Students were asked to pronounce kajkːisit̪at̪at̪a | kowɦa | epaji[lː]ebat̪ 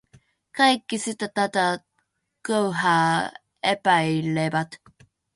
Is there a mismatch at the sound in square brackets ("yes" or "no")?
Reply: yes